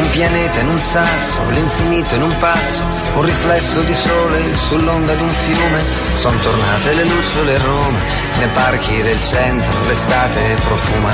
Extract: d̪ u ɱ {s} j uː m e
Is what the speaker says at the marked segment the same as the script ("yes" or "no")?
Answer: no